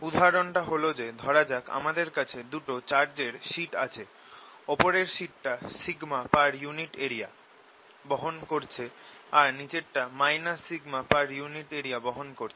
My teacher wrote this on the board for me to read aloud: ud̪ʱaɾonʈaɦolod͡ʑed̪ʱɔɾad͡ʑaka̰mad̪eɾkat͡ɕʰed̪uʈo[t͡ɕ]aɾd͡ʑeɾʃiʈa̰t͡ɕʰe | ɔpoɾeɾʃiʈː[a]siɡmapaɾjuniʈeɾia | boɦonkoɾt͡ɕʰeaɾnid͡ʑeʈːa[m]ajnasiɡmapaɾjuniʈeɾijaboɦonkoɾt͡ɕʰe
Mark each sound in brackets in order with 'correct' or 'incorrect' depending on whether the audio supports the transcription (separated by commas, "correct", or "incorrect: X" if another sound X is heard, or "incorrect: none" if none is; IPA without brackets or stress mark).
correct, correct, correct